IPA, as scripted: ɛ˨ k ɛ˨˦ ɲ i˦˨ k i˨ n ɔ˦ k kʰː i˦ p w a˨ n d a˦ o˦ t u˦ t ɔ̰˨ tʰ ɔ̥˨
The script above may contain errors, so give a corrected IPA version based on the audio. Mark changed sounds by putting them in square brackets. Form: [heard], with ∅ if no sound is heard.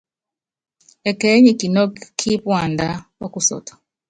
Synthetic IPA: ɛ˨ k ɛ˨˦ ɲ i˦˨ k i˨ n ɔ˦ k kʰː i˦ p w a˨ n d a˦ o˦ [k] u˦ [s] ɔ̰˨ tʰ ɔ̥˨